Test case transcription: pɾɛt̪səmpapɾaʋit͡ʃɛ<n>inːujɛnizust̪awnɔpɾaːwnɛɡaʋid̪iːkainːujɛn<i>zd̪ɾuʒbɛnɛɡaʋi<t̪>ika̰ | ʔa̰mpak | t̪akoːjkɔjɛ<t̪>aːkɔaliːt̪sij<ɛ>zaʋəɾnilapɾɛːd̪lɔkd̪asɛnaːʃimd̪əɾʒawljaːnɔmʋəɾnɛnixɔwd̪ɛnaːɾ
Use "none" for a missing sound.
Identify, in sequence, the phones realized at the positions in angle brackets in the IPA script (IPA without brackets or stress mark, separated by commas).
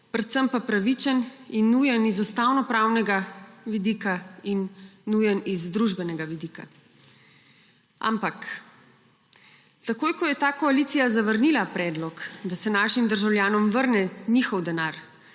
n, i, d̪, t̪, a